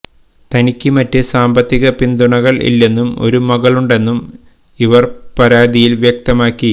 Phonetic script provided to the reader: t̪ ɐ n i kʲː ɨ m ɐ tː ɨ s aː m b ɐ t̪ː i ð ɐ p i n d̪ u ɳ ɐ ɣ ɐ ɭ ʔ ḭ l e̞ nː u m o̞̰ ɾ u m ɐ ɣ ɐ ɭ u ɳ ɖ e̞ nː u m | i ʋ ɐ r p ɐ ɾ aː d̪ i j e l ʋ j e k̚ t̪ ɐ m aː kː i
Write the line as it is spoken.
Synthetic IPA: t̪ ɐ n i kʲː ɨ m ɐ tː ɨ s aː m b ɐ t̪ː i ɣ ɐ p i n d̪ u ɳ ɐ ɣ ɐ ɭ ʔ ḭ lː e̞ nː u m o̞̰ ɾ u m ɐ ɣ ɐ ɭ u ɳ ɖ e̞ nː u m | i ʋ ɐ r p ɐ ɾ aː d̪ i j i l ʋ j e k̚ t̪ ɐ m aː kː i